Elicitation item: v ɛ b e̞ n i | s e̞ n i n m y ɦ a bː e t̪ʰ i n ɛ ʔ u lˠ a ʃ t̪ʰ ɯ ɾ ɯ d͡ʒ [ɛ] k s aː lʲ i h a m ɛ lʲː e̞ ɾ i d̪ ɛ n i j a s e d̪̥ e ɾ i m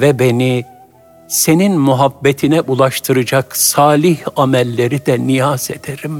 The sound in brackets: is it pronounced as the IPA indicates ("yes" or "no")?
no